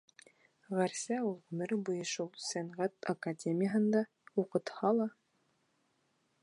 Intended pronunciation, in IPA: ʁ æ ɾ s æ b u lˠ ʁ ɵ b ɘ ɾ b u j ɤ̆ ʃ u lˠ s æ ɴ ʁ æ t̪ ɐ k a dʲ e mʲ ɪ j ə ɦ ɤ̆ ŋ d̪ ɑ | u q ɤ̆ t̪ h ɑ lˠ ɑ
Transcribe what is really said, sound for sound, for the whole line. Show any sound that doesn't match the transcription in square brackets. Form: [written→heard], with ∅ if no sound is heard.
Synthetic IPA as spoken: ʁ æ ɾ s æ [b→∅] u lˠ ʁ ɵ [b→m] ɘ ɾ b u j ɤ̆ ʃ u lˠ s æ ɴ ʁ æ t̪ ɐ k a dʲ e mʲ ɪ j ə ɦ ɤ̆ [ŋ→n] d̪ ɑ | u q ɤ̆ t̪ h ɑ lˠ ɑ

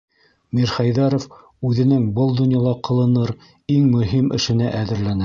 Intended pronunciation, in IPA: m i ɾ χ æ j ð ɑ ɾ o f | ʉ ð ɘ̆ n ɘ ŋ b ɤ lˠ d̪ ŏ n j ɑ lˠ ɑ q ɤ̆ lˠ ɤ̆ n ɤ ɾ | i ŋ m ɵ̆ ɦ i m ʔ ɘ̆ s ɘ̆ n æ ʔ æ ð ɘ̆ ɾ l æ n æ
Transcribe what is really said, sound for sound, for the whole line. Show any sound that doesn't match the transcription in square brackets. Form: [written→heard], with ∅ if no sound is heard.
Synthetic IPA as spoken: m i ɾ χ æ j ð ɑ ɾ o f | ʉ ð ɘ̆ n ɘ ŋ b ɤ lˠ d̪ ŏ n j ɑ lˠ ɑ q ɤ̆ lˠ ɤ̆ n ɤ ɾ | i ŋ m ɵ̆ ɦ i m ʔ ɘ̆ [s→ʃ] ɘ̆ n æ ʔ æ ð ɘ̆ ɾ l æ n æ

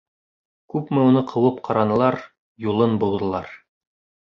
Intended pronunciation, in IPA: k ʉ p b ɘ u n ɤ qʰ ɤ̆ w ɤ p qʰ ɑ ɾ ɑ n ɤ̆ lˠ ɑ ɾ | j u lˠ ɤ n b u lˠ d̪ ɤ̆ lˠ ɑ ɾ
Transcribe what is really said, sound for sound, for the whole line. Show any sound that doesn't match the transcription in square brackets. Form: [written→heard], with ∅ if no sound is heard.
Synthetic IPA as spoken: k ʉ p [b→m] ɘ u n ɤ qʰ ɤ̆ w ɤ p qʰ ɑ ɾ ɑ n ɤ̆ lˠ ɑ ɾ | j u lˠ ɤ n b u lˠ d̪ ɤ̆ lˠ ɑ ɾ

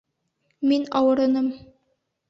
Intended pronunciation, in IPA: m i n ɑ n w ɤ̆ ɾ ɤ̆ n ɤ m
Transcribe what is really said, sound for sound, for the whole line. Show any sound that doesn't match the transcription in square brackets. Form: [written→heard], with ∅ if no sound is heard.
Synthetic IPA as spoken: m i n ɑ [n→∅] w ɤ̆ ɾ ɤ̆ n ɤ m

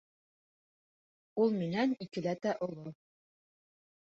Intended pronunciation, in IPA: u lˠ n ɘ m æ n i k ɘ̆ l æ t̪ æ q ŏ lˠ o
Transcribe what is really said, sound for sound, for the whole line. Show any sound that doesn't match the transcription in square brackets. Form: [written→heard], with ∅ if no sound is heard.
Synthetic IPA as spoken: u lˠ [n→m] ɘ [m→n] æ n i k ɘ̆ l æ t̪ æ [q→ʔ] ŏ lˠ o

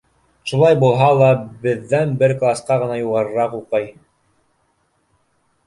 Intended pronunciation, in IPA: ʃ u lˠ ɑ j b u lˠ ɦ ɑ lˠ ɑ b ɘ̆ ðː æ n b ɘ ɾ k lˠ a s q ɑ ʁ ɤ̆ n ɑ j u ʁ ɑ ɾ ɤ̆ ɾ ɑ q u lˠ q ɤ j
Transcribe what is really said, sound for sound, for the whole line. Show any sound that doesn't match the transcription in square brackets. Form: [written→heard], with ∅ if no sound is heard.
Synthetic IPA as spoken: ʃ u lˠ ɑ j b u lˠ ɦ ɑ lˠ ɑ b ɘ̆ ðː æ n b ɘ ɾ k lˠ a s q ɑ ʁ ɤ̆ n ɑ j u ʁ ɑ ɾ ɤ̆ ɾ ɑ q u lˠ q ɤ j

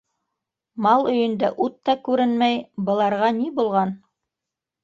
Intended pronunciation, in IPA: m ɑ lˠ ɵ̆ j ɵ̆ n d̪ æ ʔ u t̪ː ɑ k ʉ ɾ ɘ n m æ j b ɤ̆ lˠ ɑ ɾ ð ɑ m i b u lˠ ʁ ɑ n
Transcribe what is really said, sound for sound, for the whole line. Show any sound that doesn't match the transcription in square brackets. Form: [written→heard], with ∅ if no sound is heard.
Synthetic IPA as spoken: m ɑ lˠ ɵ̆ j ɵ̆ n d̪ æ ʔ u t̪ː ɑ k ʉ ɾ ɘ n m æ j b ɤ̆ lˠ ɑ ɾ [ð→ʁ] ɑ [m→n] i b u lˠ ʁ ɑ n

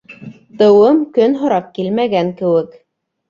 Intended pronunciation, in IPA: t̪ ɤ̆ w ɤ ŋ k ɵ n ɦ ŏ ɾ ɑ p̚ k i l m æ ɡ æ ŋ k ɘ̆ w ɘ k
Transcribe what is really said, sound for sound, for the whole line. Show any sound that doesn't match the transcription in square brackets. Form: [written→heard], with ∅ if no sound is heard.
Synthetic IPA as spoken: t̪ ɤ̆ w ɤ [ŋ→m] k ɵ n ɦ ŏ ɾ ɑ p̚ k i l m æ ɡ æ ŋ k ɘ̆ w ɘ k

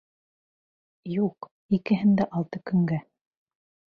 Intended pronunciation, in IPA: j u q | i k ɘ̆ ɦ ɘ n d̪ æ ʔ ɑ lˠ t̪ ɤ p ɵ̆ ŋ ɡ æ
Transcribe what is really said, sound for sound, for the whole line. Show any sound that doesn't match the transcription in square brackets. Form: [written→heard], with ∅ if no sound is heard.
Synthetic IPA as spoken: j u q | i k ɘ̆ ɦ ɘ n d̪ æ ʔ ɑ lˠ t̪ ɤ [p→k] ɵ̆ ŋ ɡ æ

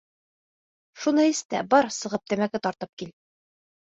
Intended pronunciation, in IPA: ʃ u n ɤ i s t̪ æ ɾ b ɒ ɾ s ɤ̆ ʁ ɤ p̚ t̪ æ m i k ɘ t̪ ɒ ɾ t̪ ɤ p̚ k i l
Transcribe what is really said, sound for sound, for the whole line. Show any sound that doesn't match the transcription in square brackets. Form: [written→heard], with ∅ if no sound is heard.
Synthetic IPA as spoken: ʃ u n ɤ i s t̪ æ [ɾ→∅] b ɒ ɾ s ɤ̆ ʁ ɤ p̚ t̪ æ m [i→æ] k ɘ t̪ ɒ ɾ t̪ ɤ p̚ k i l

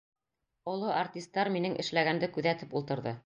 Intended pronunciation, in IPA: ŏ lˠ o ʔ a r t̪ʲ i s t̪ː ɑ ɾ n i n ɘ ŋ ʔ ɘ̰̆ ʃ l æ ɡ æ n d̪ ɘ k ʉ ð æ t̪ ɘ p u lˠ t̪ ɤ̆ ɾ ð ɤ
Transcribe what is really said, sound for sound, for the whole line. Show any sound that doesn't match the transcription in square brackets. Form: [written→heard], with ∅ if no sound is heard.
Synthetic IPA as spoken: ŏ lˠ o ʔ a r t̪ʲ i s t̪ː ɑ ɾ [n→m] i n ɘ ŋ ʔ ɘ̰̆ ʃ l æ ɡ æ n d̪ ɘ k ʉ ð æ t̪ ɘ p u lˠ t̪ ɤ̆ ɾ ð ɤ

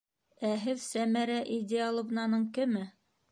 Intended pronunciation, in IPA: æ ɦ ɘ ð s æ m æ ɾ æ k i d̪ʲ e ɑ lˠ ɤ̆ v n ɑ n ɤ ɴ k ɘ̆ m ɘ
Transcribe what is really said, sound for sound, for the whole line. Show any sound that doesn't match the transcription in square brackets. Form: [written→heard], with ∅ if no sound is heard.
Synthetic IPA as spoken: æ ɦ ɘ ð s æ m æ ɾ æ [k→ʔ] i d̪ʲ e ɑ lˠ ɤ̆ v n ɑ n ɤ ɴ k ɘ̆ m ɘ

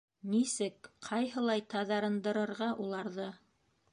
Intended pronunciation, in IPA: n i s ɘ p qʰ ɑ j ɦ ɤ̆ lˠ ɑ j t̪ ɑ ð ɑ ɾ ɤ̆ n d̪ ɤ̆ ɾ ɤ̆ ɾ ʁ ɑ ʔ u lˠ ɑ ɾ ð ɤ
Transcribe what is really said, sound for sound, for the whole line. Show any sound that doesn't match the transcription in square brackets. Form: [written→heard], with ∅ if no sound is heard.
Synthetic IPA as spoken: n i s ɘ [p→k] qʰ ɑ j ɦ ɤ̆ lˠ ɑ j t̪ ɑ ð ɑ ɾ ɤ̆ n d̪ ɤ̆ ɾ ɤ̆ ɾ ʁ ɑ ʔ u lˠ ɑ ɾ ð ɤ

